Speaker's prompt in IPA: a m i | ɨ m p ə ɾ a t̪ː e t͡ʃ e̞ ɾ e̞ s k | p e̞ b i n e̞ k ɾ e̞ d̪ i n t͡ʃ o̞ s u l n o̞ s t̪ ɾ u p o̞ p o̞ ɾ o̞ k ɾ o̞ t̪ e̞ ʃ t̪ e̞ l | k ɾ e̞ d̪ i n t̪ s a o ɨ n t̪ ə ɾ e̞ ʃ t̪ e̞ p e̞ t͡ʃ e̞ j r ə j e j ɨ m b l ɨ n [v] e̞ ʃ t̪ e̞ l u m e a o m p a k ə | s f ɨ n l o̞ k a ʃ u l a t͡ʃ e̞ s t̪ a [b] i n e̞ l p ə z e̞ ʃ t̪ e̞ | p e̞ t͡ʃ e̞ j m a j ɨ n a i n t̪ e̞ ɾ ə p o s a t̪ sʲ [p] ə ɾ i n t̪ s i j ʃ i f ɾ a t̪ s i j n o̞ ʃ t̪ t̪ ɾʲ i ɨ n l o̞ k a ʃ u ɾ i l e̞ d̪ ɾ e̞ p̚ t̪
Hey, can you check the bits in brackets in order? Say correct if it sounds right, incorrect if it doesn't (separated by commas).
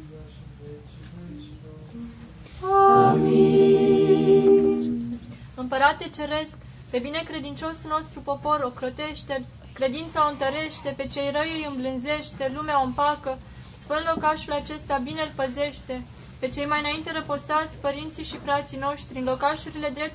incorrect, correct, correct